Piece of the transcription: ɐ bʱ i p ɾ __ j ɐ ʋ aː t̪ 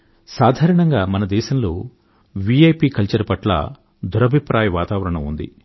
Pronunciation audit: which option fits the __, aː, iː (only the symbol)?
aː